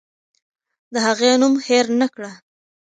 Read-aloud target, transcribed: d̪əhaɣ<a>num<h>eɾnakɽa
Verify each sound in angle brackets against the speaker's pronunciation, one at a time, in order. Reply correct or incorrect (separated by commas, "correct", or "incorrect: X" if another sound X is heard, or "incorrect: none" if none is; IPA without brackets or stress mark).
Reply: incorrect: e, correct